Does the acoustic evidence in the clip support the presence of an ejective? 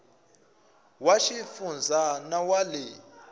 no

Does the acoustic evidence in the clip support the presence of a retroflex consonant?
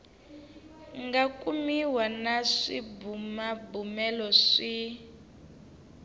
yes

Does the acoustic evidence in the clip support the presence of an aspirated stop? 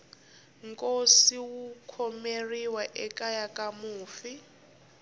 yes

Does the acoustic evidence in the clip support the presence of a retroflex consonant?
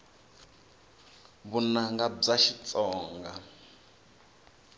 yes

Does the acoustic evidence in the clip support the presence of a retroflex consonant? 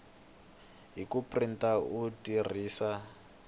no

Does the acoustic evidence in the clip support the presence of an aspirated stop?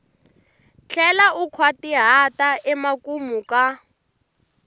yes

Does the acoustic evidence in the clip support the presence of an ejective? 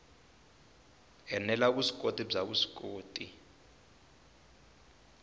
yes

